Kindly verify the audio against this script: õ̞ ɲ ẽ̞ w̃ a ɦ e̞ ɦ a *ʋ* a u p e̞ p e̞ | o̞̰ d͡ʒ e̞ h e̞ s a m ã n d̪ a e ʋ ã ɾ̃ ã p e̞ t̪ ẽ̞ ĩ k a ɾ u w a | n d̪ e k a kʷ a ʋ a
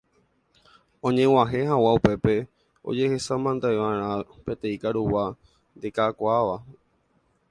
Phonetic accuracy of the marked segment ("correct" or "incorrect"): incorrect